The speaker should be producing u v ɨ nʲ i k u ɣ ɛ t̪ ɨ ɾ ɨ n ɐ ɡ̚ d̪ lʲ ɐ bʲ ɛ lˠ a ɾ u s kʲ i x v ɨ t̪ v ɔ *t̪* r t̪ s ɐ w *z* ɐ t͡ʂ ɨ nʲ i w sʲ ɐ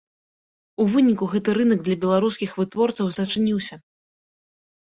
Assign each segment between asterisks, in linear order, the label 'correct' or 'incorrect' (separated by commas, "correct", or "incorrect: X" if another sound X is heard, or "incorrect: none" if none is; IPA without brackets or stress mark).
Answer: incorrect: none, correct